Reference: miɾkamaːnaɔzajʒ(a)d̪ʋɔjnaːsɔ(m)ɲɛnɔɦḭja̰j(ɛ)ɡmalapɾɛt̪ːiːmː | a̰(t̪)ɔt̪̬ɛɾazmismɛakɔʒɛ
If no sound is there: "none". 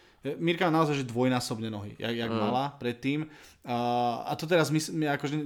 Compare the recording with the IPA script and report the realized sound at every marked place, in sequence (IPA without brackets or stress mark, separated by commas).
ɛ, b, a, t̪